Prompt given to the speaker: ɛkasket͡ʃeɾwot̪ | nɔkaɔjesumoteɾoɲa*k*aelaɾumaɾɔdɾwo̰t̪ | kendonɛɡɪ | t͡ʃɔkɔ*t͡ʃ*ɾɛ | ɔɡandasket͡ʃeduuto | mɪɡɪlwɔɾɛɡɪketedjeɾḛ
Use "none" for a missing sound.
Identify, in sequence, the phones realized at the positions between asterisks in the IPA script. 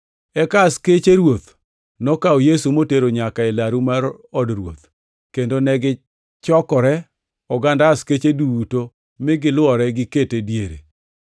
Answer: k, none

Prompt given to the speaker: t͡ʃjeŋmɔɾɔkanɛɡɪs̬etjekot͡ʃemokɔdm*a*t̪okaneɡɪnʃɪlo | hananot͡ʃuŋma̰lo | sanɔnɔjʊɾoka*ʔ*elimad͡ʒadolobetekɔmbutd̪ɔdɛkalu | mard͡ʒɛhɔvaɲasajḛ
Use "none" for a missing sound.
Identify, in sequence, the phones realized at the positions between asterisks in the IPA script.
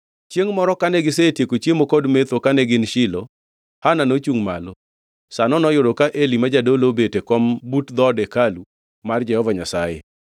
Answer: e, ʔ

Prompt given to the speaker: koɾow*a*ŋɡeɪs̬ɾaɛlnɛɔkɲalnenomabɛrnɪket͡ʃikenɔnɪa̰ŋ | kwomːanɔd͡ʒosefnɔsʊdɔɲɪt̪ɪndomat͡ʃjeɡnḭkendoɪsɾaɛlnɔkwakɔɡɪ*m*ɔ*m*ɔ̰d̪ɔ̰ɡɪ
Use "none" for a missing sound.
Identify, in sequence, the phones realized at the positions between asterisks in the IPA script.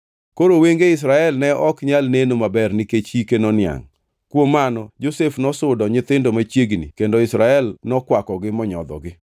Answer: e, m, ɲ

